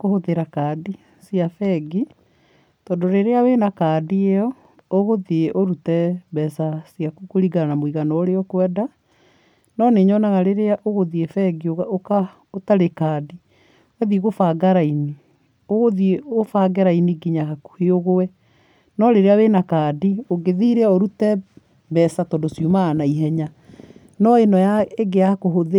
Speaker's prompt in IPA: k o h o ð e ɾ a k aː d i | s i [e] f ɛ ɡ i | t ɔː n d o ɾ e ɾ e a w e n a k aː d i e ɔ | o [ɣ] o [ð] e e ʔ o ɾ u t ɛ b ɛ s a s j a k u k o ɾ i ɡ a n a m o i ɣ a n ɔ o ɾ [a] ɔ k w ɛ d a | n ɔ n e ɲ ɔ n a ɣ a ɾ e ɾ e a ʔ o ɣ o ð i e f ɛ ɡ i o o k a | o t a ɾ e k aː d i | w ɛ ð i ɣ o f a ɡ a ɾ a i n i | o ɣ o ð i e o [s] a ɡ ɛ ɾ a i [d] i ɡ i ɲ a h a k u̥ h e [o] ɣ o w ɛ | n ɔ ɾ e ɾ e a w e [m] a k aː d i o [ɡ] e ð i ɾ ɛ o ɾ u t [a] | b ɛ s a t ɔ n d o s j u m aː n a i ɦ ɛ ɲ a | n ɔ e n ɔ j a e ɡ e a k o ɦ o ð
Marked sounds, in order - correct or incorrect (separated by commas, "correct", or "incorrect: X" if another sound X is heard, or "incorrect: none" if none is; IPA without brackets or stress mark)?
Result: incorrect: a, correct, correct, incorrect: e, incorrect: f, incorrect: n, correct, incorrect: n, correct, incorrect: ɛ